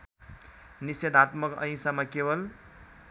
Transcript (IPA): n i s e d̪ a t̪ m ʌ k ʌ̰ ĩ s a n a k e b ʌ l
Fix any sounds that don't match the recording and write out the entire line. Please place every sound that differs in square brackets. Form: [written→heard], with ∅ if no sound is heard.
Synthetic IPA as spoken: n i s e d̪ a t̪ m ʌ k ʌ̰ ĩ s a [n→m] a k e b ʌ l